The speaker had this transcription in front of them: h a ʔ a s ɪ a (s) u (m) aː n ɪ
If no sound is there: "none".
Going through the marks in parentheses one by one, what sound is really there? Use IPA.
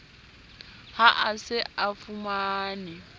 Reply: f, m

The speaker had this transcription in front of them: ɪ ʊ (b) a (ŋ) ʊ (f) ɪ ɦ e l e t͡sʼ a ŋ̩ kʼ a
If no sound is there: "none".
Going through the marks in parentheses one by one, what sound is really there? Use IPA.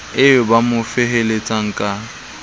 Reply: b, m, f

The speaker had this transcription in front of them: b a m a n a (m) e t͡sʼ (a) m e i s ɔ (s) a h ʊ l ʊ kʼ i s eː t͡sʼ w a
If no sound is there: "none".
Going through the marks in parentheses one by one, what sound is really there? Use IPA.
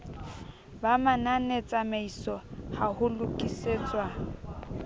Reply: n, a, h

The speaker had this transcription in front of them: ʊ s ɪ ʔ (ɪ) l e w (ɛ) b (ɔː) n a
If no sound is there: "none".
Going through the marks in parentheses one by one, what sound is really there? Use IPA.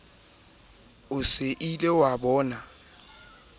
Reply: i, a, ɔː

